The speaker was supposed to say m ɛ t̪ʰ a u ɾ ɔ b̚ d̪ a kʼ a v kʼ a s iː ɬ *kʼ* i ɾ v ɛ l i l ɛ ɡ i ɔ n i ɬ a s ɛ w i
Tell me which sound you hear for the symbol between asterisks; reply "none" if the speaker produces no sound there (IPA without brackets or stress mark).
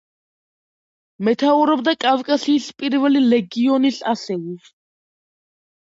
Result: pʼ